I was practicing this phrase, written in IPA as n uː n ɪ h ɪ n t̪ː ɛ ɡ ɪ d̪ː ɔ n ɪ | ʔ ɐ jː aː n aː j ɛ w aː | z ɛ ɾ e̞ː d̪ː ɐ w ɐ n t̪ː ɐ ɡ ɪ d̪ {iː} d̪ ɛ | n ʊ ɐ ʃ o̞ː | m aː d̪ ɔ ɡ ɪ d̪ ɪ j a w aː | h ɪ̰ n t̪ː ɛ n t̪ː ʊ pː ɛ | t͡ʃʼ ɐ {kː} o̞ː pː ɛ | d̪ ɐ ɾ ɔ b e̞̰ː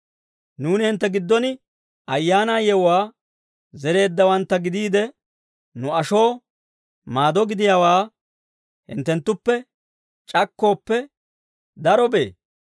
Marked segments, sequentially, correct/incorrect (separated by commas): correct, correct